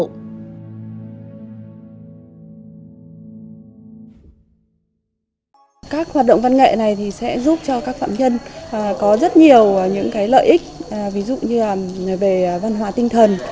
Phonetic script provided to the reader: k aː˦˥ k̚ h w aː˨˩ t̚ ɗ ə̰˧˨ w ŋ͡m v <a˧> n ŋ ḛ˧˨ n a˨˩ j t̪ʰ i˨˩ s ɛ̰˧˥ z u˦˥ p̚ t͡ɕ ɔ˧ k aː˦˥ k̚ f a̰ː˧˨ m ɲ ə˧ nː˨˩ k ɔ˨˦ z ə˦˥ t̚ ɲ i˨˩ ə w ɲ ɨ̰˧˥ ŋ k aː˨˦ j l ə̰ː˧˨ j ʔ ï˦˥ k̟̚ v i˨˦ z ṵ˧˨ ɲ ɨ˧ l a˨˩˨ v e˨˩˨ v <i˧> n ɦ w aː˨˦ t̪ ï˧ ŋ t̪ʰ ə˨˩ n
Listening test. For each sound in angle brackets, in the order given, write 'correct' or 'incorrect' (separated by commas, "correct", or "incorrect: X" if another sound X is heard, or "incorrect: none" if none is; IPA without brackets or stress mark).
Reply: correct, incorrect: a˧